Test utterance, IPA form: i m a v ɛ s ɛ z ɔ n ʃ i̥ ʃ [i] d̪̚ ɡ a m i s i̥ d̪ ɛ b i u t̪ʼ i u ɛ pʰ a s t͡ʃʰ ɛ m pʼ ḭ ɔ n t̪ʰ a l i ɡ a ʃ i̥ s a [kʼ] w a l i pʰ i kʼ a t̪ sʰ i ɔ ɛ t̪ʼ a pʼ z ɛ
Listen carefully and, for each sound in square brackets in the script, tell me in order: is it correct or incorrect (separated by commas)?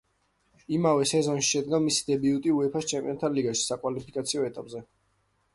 incorrect, correct